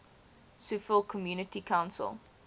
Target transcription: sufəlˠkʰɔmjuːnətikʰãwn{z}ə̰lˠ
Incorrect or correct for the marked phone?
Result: incorrect: s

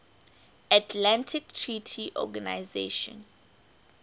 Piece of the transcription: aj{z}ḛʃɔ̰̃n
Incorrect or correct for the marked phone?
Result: correct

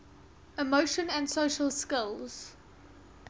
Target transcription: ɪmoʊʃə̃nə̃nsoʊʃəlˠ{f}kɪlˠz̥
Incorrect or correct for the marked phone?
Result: incorrect: s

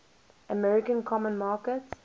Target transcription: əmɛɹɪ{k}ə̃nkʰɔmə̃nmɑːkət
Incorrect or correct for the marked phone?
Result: correct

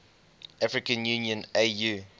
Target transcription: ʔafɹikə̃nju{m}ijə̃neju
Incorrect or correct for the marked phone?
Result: incorrect: n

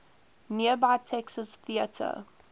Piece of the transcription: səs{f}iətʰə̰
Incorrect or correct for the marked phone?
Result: incorrect: θ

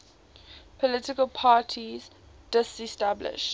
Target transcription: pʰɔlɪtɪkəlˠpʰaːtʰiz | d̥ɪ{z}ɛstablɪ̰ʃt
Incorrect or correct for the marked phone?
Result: incorrect: s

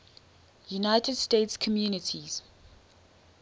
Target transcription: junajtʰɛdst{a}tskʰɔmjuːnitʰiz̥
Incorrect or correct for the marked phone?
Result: incorrect: e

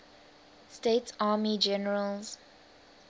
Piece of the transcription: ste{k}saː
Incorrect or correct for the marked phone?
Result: incorrect: t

